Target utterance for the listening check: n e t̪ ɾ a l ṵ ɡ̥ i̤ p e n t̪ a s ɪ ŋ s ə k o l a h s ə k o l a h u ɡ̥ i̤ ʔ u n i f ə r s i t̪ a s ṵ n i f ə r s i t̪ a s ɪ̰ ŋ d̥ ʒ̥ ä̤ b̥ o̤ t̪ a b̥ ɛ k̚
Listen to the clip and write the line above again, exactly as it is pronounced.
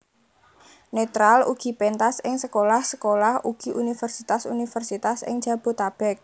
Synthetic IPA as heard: n e t̪ ɾ a l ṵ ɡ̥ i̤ p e n t̪ a s ɪ ŋ s ə k o l a h s ə k o l a h u ɡ̥ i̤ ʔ u n i f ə r s i t̪ a s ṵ n i f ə r s i t̪ a s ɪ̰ ŋ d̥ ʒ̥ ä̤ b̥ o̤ t̪ a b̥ ɛ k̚